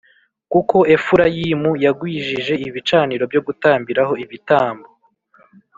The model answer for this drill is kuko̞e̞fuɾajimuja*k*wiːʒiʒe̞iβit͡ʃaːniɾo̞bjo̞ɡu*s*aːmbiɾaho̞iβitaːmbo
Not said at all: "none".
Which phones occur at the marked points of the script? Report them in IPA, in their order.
ɡ, t

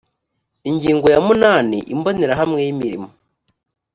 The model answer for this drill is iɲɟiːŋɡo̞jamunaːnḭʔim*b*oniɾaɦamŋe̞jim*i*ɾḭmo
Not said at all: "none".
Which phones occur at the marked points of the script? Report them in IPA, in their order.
b, i

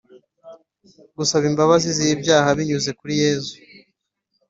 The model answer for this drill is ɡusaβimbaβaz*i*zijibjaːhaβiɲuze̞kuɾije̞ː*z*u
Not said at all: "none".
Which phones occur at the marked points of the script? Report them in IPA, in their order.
i, z

